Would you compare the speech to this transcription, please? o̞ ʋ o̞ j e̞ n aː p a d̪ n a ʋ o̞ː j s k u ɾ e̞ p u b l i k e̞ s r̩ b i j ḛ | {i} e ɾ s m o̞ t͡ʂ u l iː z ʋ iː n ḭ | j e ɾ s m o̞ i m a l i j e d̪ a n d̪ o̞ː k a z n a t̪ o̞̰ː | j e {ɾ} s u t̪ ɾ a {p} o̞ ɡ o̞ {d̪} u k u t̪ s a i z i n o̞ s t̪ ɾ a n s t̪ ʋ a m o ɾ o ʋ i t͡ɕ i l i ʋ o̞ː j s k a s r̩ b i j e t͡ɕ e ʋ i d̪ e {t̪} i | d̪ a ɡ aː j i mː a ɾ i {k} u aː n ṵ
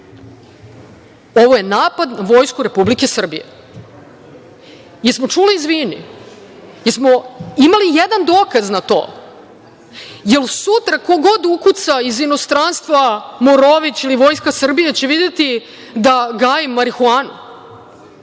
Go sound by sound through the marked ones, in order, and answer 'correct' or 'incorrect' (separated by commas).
incorrect, incorrect, incorrect, correct, correct, incorrect